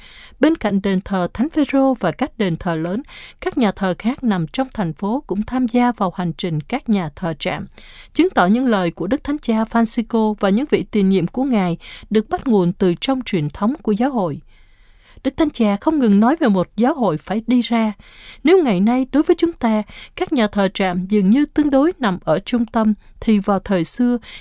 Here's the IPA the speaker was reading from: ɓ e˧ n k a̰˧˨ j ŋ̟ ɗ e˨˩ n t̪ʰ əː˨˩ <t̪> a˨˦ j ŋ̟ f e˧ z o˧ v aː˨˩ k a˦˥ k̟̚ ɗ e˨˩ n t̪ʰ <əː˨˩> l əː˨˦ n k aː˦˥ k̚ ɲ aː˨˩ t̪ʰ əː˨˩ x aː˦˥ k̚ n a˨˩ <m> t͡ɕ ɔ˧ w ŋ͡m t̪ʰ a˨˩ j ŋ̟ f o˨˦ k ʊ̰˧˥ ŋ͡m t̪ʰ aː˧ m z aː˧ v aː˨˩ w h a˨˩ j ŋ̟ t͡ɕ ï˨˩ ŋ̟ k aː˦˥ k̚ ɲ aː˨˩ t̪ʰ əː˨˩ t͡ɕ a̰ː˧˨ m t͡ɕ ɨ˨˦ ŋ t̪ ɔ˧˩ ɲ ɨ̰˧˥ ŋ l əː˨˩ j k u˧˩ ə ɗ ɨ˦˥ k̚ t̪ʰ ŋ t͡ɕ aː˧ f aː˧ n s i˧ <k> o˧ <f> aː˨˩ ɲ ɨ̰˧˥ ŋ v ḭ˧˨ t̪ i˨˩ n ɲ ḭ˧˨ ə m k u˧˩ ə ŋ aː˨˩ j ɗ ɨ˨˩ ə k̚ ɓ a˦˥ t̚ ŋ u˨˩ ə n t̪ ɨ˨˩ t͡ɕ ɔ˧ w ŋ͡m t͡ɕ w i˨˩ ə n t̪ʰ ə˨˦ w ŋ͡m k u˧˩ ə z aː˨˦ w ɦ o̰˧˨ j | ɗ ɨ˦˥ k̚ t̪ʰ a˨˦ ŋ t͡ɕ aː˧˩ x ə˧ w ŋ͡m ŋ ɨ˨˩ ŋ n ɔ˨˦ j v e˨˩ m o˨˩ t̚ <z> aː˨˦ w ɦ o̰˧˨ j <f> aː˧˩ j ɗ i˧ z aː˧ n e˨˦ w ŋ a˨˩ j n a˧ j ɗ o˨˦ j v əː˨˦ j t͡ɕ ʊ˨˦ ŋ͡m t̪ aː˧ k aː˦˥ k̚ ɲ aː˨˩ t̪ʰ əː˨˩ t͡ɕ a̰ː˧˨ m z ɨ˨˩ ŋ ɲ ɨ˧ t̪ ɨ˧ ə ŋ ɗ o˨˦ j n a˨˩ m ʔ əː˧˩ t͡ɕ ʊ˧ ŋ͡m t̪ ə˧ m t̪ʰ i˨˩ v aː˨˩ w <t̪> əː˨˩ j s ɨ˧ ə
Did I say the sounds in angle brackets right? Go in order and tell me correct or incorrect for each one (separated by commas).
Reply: incorrect, correct, correct, correct, incorrect, correct, correct, incorrect